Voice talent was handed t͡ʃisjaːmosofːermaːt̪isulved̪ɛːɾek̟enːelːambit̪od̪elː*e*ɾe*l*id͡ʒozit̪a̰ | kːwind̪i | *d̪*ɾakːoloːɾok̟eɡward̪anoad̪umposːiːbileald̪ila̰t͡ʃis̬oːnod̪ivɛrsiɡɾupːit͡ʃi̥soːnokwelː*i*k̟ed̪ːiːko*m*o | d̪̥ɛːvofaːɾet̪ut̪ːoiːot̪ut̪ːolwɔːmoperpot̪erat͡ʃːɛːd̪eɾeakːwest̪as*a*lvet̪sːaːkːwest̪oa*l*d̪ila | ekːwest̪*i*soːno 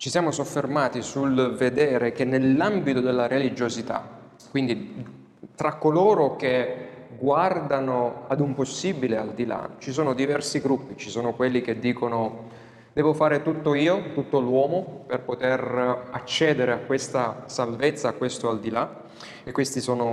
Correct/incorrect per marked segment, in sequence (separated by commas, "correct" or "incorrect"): incorrect, correct, incorrect, correct, incorrect, correct, correct, correct